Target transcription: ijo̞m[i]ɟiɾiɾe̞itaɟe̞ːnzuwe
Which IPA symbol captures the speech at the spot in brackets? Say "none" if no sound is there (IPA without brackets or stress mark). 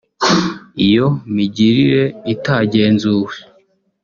i